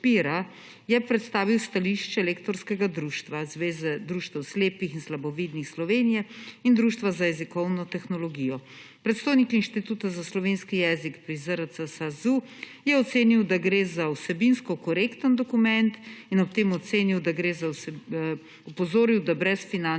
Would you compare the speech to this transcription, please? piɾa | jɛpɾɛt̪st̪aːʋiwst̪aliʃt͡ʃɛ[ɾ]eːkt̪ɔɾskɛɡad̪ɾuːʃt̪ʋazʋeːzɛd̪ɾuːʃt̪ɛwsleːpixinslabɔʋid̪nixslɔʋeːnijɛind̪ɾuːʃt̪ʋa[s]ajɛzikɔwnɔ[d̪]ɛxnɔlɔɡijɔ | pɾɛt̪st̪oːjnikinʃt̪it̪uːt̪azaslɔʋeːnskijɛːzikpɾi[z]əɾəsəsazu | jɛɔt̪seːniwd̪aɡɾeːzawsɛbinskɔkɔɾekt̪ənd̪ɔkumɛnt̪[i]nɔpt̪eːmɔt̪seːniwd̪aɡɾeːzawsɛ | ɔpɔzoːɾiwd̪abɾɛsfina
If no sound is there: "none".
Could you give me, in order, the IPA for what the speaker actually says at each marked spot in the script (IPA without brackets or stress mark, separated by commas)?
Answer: l, z, t̪, z, i